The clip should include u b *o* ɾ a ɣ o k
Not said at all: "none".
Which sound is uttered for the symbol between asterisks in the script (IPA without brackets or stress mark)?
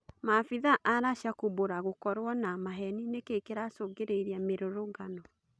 o